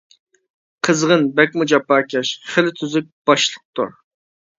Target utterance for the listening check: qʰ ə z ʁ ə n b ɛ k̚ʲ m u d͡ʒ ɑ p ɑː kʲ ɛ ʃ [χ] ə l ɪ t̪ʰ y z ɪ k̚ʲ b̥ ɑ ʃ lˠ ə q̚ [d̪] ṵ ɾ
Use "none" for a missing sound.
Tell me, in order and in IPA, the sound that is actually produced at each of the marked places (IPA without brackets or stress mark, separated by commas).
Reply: χ, t̪